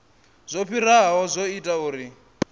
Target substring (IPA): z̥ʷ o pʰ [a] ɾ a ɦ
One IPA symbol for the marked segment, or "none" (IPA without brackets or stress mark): i